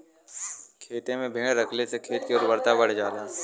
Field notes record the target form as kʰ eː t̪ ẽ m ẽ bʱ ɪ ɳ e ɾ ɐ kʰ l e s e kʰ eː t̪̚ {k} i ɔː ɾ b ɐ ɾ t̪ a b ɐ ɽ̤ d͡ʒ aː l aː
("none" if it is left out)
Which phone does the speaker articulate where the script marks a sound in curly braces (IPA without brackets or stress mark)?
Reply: k